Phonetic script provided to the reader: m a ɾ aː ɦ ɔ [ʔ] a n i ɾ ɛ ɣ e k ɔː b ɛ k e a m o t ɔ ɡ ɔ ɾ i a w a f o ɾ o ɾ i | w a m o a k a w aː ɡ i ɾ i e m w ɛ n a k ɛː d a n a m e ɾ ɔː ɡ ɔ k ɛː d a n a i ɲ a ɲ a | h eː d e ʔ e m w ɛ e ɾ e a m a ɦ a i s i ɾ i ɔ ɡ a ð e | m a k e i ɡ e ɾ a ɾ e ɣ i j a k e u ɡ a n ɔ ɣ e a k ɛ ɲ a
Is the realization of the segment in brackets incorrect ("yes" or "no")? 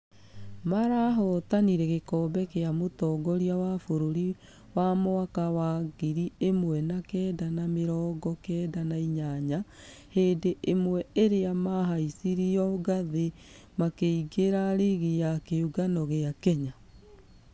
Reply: yes